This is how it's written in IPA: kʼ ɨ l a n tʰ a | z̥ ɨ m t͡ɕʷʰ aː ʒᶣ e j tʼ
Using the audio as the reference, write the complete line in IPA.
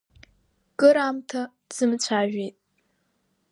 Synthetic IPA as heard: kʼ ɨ ɾ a m tʰ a | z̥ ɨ m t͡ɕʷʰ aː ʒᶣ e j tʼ